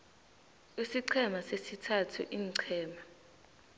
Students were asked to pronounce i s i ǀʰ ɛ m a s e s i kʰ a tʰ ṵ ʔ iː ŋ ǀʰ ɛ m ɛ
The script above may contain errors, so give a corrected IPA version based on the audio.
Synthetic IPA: i s i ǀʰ ɛ m a s e s i tʰ a tʰ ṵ ʔ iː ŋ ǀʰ ɛː m a